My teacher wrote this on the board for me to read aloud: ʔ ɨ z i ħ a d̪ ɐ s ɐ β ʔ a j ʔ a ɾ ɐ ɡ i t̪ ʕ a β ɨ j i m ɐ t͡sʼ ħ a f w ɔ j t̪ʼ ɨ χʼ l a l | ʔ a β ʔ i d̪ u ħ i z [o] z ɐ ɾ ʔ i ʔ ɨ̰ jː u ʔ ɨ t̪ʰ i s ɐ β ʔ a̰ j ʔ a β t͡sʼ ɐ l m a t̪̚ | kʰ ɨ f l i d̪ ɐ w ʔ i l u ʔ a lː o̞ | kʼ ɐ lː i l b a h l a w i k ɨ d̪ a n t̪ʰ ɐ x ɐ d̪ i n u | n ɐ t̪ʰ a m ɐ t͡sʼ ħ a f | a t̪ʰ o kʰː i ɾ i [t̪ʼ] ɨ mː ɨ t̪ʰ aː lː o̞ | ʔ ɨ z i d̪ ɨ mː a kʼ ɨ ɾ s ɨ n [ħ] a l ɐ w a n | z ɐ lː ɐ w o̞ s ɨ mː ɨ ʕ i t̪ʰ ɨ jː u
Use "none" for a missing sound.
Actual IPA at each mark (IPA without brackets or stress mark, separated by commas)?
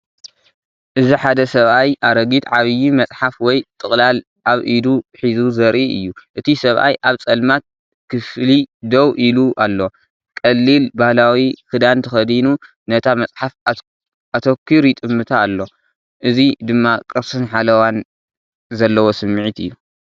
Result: u, t̪ʼ, ħ